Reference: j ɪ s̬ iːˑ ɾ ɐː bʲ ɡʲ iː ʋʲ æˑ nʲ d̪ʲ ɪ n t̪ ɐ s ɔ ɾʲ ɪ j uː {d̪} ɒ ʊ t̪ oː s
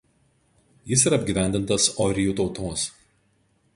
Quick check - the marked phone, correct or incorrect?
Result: incorrect